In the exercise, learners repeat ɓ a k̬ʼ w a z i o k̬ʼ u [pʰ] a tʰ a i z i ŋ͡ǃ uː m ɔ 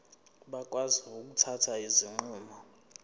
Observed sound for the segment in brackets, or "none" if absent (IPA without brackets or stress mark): tʰ